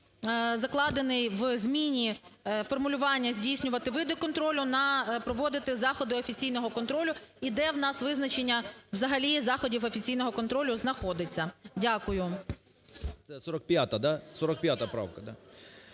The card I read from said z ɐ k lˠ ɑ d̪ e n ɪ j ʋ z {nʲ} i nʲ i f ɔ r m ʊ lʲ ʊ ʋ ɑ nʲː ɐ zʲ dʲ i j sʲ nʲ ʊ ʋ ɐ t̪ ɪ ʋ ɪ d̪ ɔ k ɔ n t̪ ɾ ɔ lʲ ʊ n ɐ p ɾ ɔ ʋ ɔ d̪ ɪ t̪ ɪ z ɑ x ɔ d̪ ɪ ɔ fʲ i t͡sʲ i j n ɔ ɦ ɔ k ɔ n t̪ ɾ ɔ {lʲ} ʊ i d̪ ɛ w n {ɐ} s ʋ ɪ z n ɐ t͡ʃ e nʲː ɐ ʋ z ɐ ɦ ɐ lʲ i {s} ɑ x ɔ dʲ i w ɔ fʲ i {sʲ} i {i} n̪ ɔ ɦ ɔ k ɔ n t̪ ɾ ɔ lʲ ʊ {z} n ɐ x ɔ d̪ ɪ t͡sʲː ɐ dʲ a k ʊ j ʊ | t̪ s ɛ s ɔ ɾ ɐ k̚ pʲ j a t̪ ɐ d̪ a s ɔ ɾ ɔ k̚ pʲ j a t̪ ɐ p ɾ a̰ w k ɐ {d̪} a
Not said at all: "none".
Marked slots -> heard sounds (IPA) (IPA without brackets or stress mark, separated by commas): mʲ, lʲ, ɑ, z, t͡sʲ, j, z, d̪